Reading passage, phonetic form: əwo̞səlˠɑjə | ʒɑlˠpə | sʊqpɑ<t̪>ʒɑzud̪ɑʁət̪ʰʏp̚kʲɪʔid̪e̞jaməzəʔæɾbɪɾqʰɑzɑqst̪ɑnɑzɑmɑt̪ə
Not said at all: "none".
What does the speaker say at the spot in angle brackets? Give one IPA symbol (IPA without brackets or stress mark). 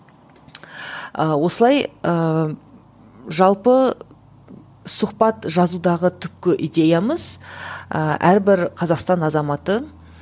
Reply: t̪